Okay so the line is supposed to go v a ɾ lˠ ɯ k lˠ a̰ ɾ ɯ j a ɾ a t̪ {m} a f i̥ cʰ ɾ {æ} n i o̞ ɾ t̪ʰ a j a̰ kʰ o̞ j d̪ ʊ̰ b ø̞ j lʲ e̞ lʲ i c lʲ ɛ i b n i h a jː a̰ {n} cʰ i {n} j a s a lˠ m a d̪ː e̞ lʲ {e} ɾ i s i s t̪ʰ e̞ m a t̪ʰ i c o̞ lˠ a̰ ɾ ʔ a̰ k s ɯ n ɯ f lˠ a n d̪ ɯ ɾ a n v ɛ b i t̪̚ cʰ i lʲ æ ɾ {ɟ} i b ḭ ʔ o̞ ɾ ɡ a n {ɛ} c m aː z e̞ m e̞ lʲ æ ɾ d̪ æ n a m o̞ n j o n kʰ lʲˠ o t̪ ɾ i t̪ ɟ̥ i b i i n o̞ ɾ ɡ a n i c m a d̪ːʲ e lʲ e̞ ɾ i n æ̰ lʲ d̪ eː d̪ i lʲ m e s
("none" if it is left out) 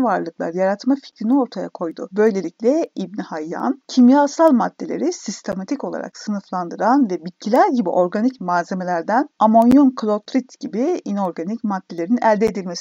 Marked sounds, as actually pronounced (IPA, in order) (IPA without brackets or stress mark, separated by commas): m, i, n, m, e, ɟ, i